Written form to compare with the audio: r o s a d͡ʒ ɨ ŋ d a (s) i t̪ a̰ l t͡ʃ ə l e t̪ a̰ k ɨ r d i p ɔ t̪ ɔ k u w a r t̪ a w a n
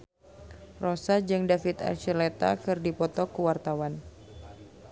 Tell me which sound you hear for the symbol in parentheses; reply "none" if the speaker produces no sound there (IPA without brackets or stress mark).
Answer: f